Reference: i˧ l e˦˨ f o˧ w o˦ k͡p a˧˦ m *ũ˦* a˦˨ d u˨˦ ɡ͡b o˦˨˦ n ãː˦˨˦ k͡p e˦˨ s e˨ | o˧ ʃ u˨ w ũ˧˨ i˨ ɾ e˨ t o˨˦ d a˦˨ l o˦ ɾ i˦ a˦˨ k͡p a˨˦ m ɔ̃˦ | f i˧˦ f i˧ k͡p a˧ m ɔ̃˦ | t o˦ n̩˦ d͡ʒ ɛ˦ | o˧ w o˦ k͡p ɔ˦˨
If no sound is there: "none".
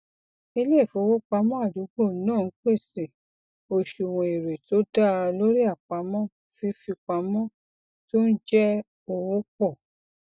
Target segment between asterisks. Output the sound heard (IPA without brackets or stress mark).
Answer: ɔ̃˦